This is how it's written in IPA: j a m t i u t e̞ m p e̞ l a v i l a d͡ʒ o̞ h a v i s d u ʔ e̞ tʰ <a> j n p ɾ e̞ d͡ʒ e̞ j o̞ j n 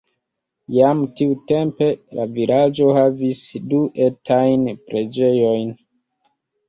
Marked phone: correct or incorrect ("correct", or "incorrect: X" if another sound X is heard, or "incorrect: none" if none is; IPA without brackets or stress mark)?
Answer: correct